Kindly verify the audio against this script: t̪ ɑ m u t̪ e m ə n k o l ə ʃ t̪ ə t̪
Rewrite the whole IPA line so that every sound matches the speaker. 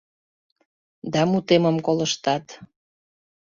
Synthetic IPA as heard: d̪ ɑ m u t̪ e m ə m k o l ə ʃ t̪ ɑ t̪

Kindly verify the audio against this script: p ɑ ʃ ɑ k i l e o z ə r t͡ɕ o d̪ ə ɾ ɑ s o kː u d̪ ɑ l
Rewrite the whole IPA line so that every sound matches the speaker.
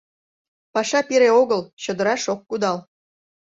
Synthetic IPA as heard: p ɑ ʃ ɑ p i ɾ e o ɣ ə l t͡ɕ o d̪ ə ɾ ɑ ʃ o kː u d̪ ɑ l

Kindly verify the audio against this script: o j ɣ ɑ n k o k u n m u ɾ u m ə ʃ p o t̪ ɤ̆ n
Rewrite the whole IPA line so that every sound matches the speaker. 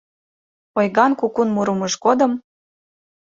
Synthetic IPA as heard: o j ɣ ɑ n k u k u n m u ɾ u m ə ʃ k o d̪ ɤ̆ m

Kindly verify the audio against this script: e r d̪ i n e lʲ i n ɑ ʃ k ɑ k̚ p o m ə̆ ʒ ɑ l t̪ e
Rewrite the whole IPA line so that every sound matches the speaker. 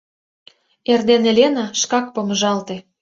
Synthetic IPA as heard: e r d̪ e n e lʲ e n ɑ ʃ k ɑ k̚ p o m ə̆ ʒ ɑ l t̪ e

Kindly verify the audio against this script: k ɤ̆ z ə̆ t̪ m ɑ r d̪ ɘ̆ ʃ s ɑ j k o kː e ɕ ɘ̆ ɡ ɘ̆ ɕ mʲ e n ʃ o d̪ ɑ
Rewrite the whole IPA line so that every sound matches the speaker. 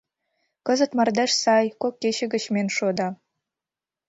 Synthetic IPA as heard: k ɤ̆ z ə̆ t̪ m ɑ r d̪ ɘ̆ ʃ s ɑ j k o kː e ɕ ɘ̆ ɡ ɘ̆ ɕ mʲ e n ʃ o d̪ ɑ

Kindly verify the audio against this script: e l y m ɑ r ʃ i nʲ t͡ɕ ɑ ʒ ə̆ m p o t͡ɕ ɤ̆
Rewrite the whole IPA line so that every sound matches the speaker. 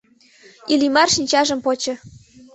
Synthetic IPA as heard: i l i m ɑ r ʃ i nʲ t͡ɕ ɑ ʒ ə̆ m p o t͡ɕ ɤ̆

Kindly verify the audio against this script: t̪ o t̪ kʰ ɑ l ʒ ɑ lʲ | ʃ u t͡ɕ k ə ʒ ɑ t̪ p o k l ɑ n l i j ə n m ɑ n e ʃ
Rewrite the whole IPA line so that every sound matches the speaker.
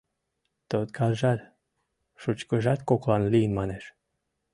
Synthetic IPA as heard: t̪ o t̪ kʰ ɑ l ʒ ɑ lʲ | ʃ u t͡ɕ k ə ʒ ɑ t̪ k o k l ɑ n l i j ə n m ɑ n e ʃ

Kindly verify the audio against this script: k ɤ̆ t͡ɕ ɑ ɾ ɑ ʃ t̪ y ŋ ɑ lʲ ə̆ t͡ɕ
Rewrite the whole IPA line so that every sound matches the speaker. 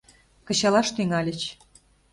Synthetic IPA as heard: k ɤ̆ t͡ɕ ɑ l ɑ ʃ t̪ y ŋ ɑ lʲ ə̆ t͡ɕ

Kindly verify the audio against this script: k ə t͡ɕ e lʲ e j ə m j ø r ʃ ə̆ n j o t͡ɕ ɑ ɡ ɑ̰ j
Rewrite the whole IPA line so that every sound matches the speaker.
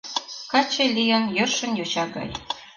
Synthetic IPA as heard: k ɑ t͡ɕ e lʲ i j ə n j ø r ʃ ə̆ n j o t͡ɕ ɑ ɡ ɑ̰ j

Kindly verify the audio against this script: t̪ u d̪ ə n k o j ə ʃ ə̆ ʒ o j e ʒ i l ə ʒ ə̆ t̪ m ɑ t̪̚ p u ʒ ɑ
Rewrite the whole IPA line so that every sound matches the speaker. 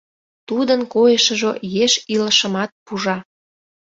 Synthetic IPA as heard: t̪ u d̪ ə n k o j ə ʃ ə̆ ʒ o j e ʃ i l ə ʃ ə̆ m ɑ t̪̚ p u ʒ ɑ

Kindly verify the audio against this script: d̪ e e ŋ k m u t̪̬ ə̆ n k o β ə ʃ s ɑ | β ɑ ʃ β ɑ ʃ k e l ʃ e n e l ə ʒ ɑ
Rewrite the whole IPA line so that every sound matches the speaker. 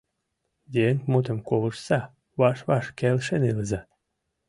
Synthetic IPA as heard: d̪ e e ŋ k m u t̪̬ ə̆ m k o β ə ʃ s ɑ | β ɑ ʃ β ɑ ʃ k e l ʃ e n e l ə z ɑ

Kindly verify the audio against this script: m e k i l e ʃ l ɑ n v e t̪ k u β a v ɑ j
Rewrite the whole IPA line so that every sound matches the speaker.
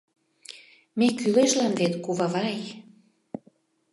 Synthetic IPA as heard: m e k y l e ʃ l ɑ n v e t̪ k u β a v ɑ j

